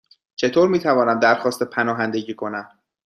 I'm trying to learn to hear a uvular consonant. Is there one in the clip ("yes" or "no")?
no